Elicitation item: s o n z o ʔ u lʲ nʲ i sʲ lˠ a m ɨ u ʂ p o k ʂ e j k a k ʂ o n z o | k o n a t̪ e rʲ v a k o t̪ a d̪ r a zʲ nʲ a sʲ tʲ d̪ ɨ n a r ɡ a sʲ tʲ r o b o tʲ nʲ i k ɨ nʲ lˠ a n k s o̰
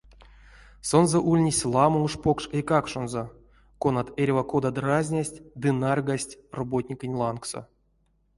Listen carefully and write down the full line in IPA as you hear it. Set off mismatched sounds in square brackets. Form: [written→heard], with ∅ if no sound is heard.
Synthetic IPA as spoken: s o n z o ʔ u lʲ nʲ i sʲ lˠ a m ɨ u ʂ p o k ʂ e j k a k ʂ o n z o | k o n a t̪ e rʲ v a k o [t̪→d̪] a d̪ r a zʲ nʲ a sʲ tʲ d̪ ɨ n a r ɡ a sʲ tʲ r o b o tʲ nʲ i k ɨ nʲ lˠ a n k s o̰